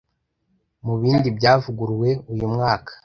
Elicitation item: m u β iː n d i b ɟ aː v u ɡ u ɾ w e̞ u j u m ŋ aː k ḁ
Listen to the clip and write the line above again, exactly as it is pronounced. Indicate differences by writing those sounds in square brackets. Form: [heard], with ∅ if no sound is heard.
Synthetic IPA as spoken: m u β iː n d i b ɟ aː v u ɡ u ɾ w e̞ u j u m ŋ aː k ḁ